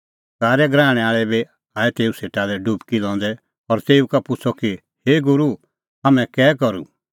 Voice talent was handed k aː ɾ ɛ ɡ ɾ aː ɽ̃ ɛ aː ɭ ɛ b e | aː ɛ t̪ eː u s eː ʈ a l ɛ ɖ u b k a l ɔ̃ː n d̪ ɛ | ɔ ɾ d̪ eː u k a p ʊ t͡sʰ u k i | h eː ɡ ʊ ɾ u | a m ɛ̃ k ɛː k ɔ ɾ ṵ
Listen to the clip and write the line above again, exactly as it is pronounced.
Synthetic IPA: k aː ɾ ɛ ɡ ɾ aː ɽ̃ ɛ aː ɭ ɛ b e | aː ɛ t̪ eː u s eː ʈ a l ɛ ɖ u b k i l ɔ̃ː n d̪ ɛ | ɔ ɾ t̪ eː u k a p ʊ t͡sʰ ɔ k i | h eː ɡ ʊ ɾ u | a m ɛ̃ k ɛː k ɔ ɾ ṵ